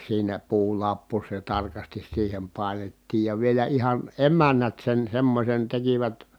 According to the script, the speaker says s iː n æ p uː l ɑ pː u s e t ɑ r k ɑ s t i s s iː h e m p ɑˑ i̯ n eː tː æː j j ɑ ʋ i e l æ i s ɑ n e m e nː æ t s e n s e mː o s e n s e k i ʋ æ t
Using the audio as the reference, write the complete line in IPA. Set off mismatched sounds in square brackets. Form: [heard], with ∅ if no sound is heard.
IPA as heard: s iː n æ p uː l ɑ pː u s e t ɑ r k ɑ s t i s s iː h e m p ɑˑ i̯ n [e] tː [iː] j j ɑ ʋ i e l æ i [h] ɑ n e m [æ] nː æ t s e n s e mː o s e n [t] e k i ʋ æ t